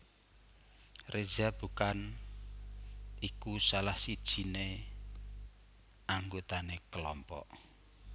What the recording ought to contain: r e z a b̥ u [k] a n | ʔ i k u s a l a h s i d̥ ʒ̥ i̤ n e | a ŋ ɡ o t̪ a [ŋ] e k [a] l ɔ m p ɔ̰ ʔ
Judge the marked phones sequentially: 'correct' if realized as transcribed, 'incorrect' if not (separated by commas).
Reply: correct, incorrect, incorrect